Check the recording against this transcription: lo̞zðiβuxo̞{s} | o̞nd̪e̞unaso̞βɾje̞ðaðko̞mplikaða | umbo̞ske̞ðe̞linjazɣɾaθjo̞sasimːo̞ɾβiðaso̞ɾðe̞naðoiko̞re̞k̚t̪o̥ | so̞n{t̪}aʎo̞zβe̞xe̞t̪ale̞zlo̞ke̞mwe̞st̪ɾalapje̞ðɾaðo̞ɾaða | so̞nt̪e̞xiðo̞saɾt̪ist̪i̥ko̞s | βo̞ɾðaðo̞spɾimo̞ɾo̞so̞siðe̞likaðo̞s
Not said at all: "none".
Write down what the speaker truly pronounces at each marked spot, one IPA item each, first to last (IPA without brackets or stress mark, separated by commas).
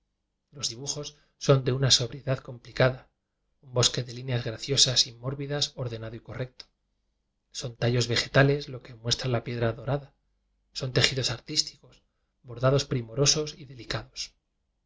sː, t̪